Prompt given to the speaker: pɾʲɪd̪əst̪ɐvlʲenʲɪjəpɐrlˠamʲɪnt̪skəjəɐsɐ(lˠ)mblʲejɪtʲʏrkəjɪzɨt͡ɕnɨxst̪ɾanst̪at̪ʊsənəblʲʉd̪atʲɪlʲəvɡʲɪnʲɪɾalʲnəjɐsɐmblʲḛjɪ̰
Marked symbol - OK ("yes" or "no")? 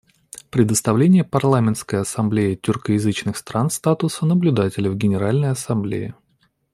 no